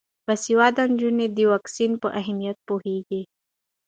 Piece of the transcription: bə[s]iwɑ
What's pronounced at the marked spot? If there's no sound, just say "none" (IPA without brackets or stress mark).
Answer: s